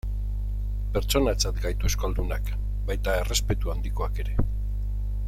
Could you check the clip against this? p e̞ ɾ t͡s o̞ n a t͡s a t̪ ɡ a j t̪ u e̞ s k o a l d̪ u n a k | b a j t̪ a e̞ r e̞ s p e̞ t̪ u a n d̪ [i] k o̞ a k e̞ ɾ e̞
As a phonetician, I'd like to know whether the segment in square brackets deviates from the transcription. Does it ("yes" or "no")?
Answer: no